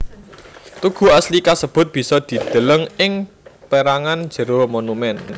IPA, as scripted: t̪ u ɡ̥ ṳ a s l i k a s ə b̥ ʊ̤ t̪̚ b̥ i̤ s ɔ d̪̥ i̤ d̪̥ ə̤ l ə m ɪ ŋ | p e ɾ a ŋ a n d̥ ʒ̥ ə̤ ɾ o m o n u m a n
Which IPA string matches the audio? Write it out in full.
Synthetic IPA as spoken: t̪ u ɡ̥ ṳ a s l i k a s ə b̥ ʊ̤ t̪̚ b̥ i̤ s ɔ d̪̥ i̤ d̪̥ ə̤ l ə ŋ ɪ ŋ | p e ɾ a ŋ a n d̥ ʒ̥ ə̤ ɾ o m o n u m ɛ n